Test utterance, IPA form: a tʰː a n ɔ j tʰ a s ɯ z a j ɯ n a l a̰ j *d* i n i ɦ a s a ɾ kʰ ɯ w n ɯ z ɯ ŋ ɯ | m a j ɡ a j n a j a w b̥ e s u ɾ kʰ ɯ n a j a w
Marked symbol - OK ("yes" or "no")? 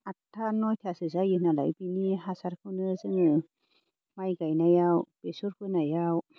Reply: no